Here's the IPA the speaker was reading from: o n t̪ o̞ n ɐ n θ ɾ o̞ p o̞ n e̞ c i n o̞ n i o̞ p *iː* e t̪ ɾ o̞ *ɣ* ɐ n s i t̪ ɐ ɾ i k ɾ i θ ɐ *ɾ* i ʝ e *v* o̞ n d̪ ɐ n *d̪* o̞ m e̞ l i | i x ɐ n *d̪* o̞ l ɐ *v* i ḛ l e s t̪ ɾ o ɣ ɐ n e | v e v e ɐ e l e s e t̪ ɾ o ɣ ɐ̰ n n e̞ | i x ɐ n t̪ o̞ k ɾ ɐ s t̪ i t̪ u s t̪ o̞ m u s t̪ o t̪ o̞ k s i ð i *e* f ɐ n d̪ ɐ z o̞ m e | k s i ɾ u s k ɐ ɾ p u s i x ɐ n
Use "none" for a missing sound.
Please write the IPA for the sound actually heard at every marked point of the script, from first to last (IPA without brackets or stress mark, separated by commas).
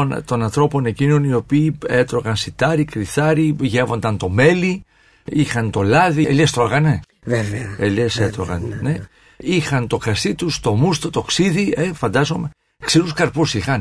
iː, ɣ, ɾ, v, t̪, t̪, ð, e